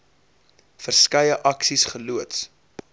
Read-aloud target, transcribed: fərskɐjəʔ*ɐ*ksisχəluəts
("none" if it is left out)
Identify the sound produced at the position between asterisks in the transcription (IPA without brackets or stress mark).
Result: ɐ